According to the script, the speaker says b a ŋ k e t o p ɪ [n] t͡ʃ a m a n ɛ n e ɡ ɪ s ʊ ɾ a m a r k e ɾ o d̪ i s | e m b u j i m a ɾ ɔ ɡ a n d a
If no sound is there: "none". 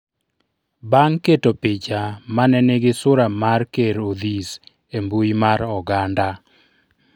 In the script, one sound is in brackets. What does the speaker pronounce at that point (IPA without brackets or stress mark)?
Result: none